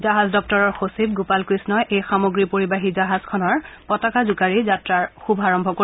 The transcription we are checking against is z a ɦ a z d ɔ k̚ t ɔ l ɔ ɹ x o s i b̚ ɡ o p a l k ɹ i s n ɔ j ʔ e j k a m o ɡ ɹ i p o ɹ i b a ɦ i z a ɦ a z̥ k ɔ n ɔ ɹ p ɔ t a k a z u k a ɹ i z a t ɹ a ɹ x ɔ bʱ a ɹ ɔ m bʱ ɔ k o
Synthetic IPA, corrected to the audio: z a ɦ a z d ɔ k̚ t ɔ ɹ ɔ ɹ x o s i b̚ ɡ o p a l k ɹ i s n ɔ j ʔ e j x a m o ɡ ɹ i p o ɹ i b a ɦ i z a ɦ a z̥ kʰ ɔ n ɔ ɹ p ɔ t a k a z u k a ɹ i z a t ɹ a ɹ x u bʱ a ɹ ɔ m bʱ ɔ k o